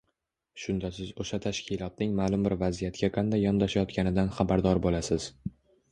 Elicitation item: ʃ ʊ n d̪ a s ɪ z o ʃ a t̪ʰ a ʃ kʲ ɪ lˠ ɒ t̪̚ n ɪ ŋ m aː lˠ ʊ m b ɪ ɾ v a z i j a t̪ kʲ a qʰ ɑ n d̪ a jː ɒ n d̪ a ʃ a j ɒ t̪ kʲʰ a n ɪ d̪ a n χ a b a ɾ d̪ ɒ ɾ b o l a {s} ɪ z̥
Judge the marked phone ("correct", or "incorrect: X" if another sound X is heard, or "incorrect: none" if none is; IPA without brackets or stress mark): correct